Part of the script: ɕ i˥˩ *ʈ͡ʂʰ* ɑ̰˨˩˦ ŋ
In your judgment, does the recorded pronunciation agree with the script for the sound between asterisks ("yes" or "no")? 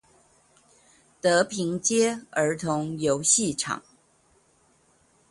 yes